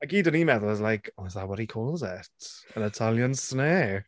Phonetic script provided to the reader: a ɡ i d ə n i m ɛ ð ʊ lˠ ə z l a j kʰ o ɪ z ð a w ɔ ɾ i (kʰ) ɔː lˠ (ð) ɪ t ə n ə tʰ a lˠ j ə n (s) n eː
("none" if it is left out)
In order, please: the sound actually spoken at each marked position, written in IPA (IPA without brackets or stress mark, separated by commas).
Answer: kʰ, z, s